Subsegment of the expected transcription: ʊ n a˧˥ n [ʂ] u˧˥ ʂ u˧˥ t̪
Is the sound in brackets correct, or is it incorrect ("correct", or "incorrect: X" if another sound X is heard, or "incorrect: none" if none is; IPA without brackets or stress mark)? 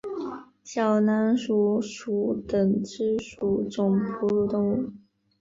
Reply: correct